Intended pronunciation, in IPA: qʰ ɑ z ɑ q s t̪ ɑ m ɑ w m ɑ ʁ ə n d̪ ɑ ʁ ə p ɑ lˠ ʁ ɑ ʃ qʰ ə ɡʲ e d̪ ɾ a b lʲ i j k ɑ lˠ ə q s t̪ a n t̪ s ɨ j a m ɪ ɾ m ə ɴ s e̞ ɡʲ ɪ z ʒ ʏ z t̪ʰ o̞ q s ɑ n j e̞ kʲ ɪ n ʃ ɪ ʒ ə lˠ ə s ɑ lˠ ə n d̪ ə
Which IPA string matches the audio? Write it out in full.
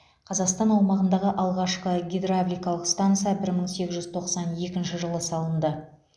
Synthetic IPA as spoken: qʰ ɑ z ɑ q s t̪ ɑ n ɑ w m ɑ ʁ ə n d̪ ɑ ʁ ə ʔ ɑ lˠ ʁ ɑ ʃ q ə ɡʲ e d̪ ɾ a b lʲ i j k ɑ lˠ ə q s t̪ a n t̪ s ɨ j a b ɪ ɾ m ə ɴ s e̞ ɡʲ ɪ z ʒ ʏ z t̪ʰ o̞ q s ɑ n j e̞ kʲ ɪ n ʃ ɪ ʒ ə lˠ ə s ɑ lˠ ə n d̪ ə